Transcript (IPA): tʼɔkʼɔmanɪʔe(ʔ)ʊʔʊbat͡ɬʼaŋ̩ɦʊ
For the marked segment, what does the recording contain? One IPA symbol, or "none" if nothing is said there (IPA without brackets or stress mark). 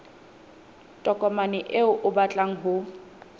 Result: none